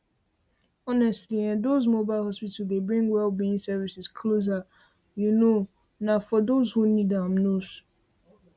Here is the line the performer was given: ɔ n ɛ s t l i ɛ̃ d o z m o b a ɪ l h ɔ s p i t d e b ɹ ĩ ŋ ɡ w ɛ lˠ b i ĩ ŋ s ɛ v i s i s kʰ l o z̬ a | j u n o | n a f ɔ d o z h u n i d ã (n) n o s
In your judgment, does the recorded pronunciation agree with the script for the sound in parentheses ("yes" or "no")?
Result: no